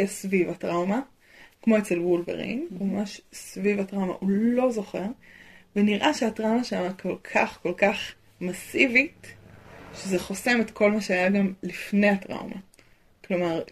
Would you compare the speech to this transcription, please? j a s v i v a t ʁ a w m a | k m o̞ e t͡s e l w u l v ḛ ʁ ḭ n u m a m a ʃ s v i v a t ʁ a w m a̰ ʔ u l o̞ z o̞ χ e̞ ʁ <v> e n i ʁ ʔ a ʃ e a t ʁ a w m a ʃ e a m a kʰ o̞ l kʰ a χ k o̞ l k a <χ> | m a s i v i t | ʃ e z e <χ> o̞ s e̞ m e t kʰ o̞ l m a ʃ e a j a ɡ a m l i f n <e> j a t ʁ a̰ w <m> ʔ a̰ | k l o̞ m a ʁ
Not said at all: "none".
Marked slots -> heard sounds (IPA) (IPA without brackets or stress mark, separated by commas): v, χ, χ, e, m